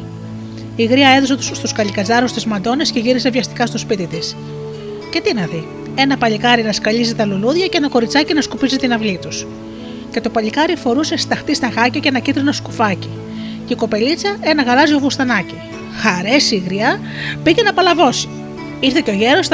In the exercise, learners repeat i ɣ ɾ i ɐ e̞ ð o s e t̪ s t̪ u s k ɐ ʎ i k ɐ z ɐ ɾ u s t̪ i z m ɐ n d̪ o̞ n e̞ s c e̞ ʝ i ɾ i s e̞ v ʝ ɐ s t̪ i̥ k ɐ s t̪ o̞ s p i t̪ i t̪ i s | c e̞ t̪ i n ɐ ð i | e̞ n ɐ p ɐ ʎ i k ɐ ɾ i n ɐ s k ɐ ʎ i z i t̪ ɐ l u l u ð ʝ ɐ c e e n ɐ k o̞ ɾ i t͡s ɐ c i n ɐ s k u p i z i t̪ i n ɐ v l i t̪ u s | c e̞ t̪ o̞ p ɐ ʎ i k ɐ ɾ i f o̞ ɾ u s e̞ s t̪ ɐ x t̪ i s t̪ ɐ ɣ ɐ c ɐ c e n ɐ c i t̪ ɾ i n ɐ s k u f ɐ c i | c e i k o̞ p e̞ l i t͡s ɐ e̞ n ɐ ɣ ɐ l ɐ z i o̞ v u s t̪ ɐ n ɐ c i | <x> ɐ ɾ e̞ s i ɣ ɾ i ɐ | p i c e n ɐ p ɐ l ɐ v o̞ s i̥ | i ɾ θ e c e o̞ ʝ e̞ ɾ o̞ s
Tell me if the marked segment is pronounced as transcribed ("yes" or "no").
yes